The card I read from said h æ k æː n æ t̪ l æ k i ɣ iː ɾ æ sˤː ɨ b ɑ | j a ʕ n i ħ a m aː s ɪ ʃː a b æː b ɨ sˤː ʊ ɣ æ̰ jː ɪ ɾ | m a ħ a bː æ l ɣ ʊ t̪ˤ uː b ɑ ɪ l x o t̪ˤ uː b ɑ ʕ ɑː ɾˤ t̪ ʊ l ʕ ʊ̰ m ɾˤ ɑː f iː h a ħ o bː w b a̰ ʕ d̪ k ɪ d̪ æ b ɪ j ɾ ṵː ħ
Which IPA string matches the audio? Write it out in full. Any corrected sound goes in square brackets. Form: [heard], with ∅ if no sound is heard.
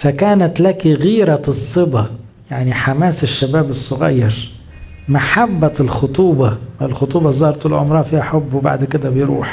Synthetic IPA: [f] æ k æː n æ t̪ l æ k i ɣ iː ɾ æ sˤː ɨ b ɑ | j a ʕ n i ħ a m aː s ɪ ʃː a b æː b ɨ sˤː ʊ ɣ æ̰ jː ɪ ɾ | m a ħ a bː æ l [x] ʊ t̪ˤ uː b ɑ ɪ l x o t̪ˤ uː b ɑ [z] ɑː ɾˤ t̪ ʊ l ʕ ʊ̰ m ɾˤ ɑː f iː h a ħ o bː w b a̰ ʕ d̪ k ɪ d̪ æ b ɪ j ɾ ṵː ħ

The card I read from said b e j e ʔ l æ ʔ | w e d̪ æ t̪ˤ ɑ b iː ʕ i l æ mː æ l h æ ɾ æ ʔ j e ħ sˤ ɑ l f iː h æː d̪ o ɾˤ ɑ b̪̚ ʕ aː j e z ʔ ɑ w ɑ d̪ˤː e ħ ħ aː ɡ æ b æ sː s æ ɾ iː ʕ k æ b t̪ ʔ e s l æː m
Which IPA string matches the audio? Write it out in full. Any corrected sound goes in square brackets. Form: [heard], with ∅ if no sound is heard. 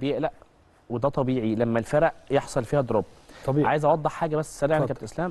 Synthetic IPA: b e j e ʔ l æ ʔ | w e d̪ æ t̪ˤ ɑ b iː ʕ i l æ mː æ l [f] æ ɾ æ ʔ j e ħ sˤ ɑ l f iː h [æ] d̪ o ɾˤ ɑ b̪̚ ʕ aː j e z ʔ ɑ w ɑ d̪ˤː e ħ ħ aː ɡ æ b æ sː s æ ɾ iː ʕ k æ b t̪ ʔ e s l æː m

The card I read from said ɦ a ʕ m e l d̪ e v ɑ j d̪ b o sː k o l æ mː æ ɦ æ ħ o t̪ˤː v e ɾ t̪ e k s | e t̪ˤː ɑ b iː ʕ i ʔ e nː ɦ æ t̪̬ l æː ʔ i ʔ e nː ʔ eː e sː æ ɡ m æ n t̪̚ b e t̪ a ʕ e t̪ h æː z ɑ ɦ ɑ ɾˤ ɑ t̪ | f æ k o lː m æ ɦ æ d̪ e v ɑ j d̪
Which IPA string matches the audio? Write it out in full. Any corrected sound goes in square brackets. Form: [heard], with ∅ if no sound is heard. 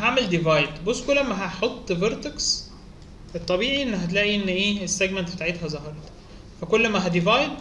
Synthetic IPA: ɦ a ʕ m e l d̪ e v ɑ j d̪ b o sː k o l æ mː æ ɦ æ ħ o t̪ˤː v e ɾ t̪ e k s | e t̪ˤː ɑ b iː ʕ i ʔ e nː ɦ æ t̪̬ l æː ʔ i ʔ e nː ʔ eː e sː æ ɡ m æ n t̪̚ b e t̪ a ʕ e t̪ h [æ] z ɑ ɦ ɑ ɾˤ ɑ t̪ | f æ k o lː m æ ɦ æ d̪ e v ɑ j d̪

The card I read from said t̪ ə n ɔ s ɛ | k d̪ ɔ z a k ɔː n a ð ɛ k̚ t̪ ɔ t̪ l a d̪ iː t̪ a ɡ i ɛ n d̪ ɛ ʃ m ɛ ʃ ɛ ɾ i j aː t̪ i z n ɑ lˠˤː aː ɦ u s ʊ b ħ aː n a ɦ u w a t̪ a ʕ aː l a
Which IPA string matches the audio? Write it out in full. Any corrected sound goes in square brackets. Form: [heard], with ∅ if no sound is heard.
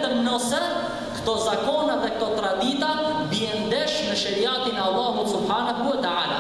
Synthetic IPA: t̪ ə n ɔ s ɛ | k [t̪] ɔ z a k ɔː n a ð ɛ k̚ t̪ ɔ t̪ [ɾ] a d̪ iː t̪ a [b] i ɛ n d̪ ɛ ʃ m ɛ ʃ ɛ ɾ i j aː t̪ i [∅] n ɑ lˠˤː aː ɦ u s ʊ b ħ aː n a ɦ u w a t̪ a ʕ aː l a

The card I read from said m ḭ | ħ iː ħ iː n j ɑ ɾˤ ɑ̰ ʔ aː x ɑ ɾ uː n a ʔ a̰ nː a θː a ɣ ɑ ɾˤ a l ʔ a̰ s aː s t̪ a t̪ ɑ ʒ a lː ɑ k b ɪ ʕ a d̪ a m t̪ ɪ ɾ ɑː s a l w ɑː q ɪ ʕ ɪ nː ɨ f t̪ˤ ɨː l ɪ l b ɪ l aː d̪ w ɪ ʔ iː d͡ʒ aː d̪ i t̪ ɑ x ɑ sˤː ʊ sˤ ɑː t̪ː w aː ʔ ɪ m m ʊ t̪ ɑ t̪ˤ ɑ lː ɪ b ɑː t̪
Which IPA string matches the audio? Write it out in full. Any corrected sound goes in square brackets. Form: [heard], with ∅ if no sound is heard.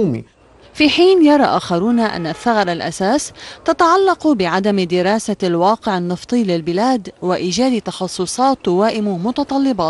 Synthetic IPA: m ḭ | [f] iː ħ iː n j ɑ ɾˤ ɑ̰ ʔ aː x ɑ ɾ uː n a ʔ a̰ nː a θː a ɣ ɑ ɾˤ a l ʔ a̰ s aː s t̪ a t̪ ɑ [ʕ] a lː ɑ [q] b ɪ ʕ a d̪ a m [d̪] ɪ ɾ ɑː s a l w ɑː q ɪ ʕ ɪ nː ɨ f t̪ˤ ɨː l ɪ l b ɪ l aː d̪ w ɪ ʔ iː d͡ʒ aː d̪ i t̪ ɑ x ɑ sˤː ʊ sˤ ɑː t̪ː w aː ʔ ɪ m m ʊ t̪ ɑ t̪ˤ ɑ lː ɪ b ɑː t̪

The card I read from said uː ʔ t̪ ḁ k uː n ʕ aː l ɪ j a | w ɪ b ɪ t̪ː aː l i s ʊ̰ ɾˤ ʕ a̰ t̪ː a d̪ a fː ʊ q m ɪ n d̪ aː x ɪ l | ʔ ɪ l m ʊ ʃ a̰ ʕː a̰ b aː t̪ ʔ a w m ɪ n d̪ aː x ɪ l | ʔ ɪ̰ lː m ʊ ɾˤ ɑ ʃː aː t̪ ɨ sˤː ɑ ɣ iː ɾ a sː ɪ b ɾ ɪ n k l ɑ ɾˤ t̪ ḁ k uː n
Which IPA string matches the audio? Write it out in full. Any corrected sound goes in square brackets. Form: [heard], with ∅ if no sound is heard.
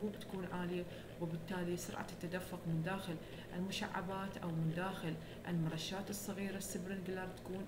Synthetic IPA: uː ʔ t̪ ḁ k uː n ʕ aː l ɪ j a | w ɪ b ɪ t̪ː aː l i s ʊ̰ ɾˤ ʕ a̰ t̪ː a d̪ a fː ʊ q m ɪ n d̪ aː x ɪ l | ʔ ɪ l m ʊ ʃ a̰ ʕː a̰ b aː t̪ ʔ a w m ɪ n d̪ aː x ɪ l | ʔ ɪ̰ [l] m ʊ ɾˤ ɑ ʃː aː t̪ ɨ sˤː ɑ ɣ iː ɾ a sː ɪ b ɾ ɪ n [ɡ] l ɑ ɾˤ t̪ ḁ k uː n

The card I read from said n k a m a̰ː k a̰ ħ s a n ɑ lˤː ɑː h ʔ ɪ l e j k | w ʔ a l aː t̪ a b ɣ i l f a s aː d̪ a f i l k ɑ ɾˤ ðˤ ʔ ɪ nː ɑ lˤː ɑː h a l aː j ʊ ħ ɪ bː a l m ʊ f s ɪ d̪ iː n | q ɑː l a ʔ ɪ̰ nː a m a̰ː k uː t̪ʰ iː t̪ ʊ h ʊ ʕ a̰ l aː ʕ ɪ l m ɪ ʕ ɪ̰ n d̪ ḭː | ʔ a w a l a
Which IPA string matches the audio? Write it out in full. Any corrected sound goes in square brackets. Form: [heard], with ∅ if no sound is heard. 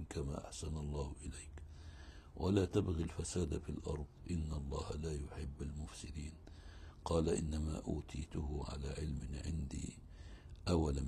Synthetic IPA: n k a m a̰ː [ʔ] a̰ ħ s a n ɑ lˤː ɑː h ʔ ɪ l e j k | w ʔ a l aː t̪ a b ɣ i l f a s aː d̪ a f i l [ʔ] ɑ ɾˤ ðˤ ʔ ɪ nː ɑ lˤː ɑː h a l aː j ʊ ħ ɪ bː a l m ʊ f s ɪ d̪ iː n | q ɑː l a ʔ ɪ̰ nː a m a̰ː [ʔ] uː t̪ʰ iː t̪ ʊ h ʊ ʕ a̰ l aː ʕ ɪ l m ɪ ʕ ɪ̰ n d̪ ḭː | ʔ a w a l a

